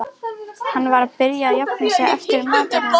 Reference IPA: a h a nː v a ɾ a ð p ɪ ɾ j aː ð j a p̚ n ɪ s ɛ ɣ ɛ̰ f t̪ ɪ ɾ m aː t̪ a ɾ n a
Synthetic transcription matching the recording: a h a nː v a ɾ a ð p ɪ ɾ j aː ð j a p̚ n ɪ s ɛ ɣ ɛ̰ f t̪ ɪ ɾ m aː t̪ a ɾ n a